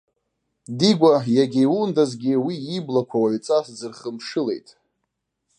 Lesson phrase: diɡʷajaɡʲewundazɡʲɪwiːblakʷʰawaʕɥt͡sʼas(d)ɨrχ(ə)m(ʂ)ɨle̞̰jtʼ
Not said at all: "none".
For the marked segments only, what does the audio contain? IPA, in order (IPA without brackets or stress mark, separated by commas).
d͡z, ə, ʂ